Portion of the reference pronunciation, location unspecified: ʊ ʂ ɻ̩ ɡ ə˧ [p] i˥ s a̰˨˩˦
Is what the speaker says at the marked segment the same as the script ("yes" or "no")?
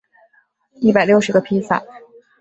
no